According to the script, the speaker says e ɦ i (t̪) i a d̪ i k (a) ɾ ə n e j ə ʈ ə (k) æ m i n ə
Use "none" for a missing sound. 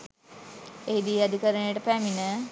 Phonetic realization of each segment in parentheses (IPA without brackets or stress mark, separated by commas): d̪, ə, p